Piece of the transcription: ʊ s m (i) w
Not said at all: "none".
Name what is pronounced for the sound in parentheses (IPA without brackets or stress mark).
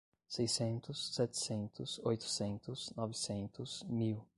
i